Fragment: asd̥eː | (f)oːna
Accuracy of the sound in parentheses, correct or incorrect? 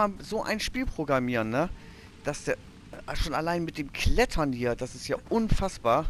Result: incorrect